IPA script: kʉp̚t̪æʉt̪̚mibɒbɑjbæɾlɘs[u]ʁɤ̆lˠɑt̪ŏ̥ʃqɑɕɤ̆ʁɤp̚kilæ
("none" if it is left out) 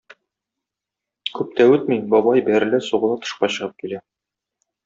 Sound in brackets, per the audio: u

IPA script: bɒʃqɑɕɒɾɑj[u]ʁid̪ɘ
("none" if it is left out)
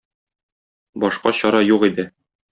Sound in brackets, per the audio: u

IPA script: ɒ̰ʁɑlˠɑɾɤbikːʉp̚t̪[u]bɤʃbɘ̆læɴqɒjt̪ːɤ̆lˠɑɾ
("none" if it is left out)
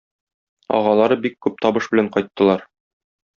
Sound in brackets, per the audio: ɒ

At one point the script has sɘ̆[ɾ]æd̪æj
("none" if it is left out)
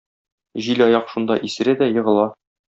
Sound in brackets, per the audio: ɾ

